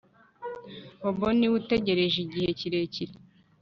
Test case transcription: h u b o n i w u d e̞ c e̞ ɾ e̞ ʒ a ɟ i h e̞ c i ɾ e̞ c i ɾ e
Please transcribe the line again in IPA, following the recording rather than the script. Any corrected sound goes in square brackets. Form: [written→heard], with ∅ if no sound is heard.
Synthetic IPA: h [u→o] b o n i w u [d→t] e̞ [c→ɟ] e̞ ɾ e̞ ʒ [a→i] ɟ i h e̞ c i ɾ e̞ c i ɾ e